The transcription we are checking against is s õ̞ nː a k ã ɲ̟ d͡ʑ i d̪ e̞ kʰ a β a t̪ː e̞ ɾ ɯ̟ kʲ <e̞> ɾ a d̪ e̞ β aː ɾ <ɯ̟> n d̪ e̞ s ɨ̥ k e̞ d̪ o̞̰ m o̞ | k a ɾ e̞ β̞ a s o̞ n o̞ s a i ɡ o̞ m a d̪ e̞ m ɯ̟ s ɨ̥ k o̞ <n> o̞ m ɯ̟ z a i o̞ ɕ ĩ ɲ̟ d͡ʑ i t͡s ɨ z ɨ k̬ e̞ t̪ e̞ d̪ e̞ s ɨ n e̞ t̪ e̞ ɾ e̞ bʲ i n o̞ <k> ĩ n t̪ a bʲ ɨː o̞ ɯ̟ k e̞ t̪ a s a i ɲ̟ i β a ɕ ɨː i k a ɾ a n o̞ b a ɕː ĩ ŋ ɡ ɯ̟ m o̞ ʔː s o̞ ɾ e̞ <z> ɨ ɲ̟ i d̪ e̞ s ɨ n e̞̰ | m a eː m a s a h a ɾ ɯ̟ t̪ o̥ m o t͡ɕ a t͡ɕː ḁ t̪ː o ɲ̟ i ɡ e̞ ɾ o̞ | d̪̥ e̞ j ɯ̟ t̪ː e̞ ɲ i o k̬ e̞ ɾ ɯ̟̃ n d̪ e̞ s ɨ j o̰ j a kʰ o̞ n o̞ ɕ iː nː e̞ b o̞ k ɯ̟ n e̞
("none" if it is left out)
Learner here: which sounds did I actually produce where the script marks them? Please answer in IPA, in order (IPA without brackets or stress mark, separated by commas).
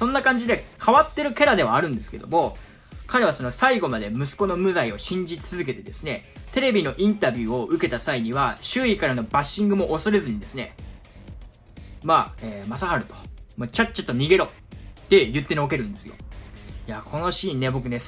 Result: e̞, ɯ̟̃, n, ʔ, z